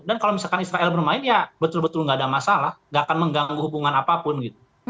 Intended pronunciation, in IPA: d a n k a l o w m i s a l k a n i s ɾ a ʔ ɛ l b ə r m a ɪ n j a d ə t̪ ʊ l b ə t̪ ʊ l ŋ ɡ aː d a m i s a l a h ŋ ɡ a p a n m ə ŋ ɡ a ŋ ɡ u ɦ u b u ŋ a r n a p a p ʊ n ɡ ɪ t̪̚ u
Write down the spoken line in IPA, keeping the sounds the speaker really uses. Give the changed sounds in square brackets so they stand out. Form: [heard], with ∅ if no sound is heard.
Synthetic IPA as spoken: d a n k a l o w m i s a l k a n i s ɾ a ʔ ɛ l b ə r m a ɪ n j a [b] ə t̪ ʊ l b ə t̪ ʊ l ŋ ɡ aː d a m [a] s a l a h ŋ ɡ a [k] a n m ə ŋ ɡ a ŋ ɡ u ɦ u b u ŋ a [∅] n a p a p ʊ n ɡ [i] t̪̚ u